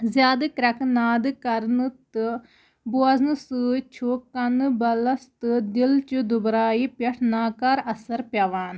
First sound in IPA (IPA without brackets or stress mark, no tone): z